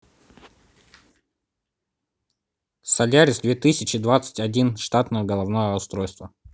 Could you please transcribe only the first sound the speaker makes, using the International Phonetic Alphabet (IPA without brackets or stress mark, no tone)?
s